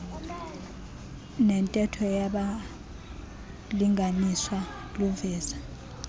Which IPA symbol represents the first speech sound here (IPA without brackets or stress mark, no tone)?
n